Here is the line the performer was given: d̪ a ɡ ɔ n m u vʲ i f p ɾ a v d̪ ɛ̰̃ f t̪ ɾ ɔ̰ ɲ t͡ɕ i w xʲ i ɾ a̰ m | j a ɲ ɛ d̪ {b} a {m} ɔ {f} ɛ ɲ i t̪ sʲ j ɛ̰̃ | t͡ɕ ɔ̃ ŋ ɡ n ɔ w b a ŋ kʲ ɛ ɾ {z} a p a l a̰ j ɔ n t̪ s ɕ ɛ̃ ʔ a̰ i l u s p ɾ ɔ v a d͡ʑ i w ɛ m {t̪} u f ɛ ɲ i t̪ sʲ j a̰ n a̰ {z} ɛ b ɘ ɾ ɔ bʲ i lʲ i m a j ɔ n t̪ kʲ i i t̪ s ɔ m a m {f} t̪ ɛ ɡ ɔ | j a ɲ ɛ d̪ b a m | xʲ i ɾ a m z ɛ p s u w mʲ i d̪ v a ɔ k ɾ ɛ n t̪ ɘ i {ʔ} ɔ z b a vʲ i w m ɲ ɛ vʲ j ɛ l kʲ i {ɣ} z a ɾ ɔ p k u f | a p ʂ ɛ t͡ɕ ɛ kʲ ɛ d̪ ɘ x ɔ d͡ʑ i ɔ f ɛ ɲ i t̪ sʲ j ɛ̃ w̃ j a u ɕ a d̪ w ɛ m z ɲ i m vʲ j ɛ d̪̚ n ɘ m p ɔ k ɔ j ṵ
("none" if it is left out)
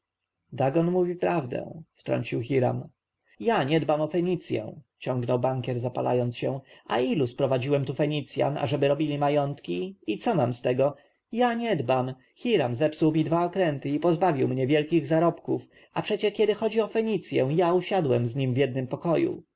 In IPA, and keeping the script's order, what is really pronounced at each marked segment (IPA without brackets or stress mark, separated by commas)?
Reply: b, m, f, z, t̪, ʐ, s, p, ɣ